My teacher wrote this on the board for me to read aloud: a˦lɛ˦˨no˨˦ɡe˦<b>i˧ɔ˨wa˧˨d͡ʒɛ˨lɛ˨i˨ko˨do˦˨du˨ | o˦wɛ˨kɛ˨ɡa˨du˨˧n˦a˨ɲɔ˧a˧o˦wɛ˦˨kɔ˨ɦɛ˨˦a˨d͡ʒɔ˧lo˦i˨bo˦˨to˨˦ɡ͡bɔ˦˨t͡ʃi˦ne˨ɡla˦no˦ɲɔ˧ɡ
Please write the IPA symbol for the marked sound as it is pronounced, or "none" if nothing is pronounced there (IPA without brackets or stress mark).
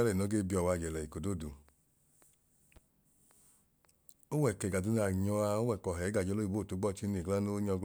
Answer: b